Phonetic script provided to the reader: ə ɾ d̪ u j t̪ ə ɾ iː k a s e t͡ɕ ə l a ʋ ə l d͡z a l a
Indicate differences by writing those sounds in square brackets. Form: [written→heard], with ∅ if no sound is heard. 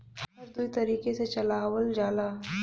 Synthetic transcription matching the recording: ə ɾ d̪ u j t̪ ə ɾ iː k [a→e] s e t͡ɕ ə l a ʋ ə l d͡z a l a